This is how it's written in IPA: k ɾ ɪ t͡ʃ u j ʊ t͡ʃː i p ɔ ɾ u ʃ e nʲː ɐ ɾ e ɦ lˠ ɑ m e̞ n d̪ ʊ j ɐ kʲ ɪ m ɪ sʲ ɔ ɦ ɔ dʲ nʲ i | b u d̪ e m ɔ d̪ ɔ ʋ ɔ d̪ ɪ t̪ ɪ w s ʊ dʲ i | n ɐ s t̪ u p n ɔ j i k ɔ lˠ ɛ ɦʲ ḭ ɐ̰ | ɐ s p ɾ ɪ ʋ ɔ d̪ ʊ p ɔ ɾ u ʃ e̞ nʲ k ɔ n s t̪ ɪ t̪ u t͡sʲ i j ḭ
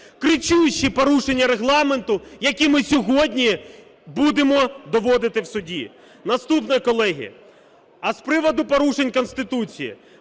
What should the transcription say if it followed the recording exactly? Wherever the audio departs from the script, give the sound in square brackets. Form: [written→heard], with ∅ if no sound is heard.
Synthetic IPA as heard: k ɾ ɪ t͡ʃ u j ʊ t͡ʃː i p ɔ ɾ u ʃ e nʲː ɐ ɾ e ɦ lˠ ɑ m e̞ n [d̪→t̪] ʊ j ɐ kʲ [ɪ→i] m ɪ sʲ ɔ ɦ ɔ dʲ nʲ i | b u d̪ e m ɔ d̪ ɔ ʋ ɔ d̪ ɪ t̪ ɪ w s ʊ dʲ i | n ɐ s t̪ u p n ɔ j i k ɔ lˠ ɛ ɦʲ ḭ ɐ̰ | ɐ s p ɾ ɪ ʋ ɔ d̪ ʊ p ɔ ɾ u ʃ e̞ nʲ k ɔ n s t̪ ɪ t̪ u t͡sʲ i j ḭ